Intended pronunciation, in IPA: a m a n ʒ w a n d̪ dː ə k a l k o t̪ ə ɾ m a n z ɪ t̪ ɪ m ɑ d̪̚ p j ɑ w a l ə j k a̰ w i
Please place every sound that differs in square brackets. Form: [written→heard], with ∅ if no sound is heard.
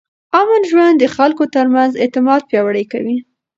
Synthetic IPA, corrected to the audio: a m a n ʒ w a n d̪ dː ə [k→x] a l k o t̪ ə ɾ m a n z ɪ t̪ ɪ m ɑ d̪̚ p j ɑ w a [l→ɽ] ə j k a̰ w i